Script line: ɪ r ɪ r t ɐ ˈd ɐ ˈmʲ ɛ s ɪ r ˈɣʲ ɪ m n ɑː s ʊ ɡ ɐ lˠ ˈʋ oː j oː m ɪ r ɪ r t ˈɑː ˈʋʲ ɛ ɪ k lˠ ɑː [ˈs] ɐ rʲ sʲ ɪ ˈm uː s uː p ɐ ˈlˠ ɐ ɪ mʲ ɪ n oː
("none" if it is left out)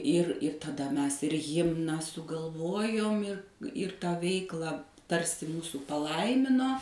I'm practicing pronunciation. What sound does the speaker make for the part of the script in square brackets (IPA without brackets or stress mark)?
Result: t